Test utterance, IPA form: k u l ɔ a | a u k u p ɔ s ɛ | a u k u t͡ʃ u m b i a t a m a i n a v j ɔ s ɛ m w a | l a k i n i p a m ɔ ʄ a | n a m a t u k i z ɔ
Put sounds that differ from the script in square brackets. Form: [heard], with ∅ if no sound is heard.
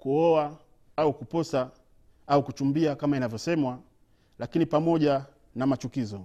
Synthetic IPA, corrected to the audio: k u [∅] ɔ a | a u k u p ɔ s [a] | a u k u t͡ʃ u m b i a [k] a m a i n a v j ɔ s ɛ m w a | l a k i n i p a m ɔ ʄ a | n a m a [t͡ʃ] u k i z ɔ